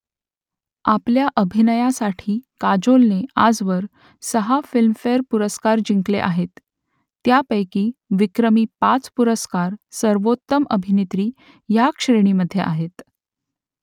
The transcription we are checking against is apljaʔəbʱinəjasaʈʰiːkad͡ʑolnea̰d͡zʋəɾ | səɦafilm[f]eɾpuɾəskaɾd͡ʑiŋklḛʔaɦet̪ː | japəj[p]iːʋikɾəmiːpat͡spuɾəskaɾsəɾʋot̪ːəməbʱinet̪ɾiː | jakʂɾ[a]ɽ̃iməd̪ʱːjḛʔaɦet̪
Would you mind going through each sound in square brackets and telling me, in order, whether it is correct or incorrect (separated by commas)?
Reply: correct, incorrect, incorrect